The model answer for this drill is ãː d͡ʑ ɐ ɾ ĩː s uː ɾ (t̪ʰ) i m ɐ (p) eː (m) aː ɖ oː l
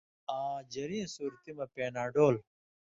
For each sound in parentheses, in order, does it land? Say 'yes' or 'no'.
no, yes, no

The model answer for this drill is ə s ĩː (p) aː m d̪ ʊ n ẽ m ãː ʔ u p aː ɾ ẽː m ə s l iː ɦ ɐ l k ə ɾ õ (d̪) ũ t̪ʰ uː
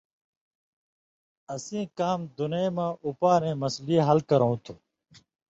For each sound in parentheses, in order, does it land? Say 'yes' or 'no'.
no, no

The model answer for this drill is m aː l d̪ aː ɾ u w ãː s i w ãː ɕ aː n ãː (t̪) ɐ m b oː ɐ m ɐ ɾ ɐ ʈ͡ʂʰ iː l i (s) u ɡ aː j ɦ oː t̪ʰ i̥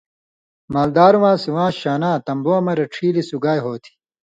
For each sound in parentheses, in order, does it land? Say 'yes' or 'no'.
yes, yes

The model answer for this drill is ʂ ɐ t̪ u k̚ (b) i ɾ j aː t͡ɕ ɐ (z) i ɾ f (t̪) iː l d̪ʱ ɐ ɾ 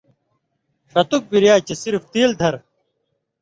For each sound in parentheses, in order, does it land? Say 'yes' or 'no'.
yes, no, yes

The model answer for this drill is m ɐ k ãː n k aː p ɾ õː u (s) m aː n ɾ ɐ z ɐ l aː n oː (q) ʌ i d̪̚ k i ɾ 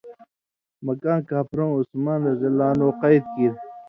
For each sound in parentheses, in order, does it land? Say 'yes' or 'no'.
yes, yes

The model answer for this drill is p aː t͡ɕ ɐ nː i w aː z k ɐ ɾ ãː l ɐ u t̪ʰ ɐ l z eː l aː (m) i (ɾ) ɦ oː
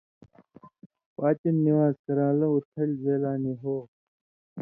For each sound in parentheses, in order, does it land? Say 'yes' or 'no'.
no, no

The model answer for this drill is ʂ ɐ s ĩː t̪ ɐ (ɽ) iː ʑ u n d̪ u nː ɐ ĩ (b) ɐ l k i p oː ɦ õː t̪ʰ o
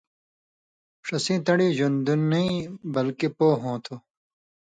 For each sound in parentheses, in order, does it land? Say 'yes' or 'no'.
yes, yes

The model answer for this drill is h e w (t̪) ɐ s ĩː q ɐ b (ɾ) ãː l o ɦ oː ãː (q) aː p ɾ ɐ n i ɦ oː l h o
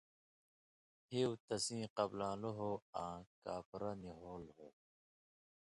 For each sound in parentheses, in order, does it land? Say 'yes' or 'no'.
yes, no, no

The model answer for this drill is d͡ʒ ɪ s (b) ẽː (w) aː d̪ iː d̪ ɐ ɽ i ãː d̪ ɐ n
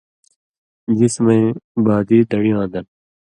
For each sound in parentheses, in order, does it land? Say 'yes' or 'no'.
no, no

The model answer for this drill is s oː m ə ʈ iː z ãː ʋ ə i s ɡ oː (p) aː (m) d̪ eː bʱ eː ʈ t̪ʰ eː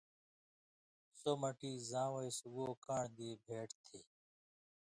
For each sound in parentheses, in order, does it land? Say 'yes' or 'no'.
no, no

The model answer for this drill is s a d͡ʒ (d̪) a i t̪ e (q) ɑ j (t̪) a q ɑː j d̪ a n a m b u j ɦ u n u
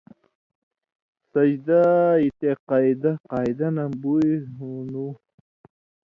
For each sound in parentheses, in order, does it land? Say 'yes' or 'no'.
yes, yes, no

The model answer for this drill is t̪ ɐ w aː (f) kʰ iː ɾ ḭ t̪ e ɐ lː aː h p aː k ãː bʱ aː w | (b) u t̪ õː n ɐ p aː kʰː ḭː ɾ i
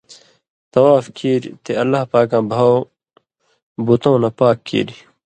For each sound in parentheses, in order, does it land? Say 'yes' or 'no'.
yes, yes

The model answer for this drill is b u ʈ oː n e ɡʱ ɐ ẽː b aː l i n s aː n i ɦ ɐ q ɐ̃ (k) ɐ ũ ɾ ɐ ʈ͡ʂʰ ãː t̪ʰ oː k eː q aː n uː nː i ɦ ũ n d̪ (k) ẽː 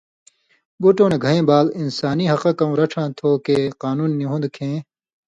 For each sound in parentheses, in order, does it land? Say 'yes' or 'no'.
yes, no

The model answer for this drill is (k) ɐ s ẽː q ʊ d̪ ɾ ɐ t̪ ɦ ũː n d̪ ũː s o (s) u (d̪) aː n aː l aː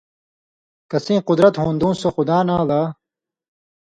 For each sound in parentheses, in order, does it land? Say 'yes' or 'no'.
yes, no, yes

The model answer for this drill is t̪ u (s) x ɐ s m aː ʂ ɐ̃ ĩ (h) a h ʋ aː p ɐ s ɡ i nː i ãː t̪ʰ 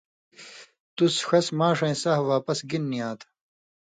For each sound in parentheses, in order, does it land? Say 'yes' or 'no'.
yes, no

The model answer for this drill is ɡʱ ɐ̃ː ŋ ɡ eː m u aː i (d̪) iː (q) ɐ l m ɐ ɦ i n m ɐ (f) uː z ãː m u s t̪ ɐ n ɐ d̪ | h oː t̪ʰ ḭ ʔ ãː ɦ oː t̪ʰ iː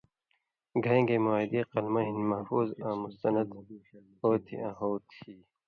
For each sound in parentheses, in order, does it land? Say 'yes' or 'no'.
yes, yes, yes

